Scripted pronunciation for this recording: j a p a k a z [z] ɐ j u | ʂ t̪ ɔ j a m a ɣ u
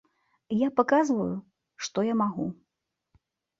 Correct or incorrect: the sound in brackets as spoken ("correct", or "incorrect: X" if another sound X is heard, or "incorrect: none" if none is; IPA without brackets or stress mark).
incorrect: v